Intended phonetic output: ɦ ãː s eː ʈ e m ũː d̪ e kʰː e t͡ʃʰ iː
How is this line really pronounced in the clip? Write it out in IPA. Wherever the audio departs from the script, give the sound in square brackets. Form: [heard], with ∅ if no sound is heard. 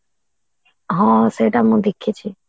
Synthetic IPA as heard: ɦ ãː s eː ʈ [a] m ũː d̪ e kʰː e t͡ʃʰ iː